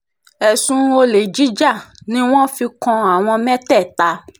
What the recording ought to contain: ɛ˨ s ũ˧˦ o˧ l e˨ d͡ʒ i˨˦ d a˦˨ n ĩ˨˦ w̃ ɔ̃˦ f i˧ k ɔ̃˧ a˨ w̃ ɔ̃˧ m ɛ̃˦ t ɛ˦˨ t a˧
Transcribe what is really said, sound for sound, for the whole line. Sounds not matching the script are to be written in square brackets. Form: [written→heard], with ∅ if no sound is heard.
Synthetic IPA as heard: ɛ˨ s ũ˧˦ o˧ l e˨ d͡ʒ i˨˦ [d→d͡ʒ] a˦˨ n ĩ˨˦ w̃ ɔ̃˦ f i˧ k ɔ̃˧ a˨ w̃ ɔ̃˧ m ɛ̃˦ t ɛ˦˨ t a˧